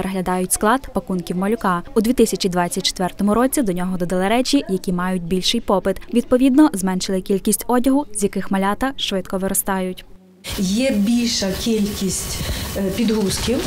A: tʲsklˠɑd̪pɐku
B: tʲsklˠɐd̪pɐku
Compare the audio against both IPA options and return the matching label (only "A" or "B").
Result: A